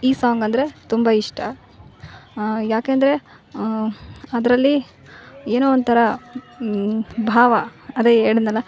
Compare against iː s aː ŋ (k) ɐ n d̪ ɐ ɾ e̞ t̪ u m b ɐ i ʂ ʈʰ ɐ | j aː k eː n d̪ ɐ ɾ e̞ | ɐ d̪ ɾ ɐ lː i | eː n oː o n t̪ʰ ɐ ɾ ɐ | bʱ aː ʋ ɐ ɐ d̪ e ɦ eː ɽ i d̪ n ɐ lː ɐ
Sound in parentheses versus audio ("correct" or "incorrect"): incorrect